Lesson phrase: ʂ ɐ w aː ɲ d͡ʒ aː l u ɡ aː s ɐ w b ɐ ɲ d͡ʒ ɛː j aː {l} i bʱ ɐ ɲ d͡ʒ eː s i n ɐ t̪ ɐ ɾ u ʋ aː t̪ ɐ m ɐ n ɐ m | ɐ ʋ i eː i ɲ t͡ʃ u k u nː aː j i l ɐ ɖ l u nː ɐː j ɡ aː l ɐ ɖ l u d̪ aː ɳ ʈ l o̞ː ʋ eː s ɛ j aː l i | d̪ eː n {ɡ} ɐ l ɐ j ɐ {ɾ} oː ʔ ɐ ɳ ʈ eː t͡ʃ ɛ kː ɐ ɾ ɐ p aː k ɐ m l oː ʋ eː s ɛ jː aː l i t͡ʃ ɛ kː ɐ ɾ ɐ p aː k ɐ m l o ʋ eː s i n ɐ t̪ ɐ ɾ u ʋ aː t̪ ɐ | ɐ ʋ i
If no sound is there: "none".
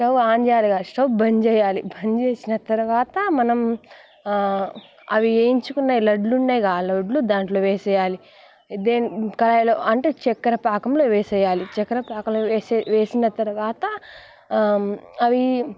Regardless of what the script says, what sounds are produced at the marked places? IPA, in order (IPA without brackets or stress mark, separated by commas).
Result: l, k, l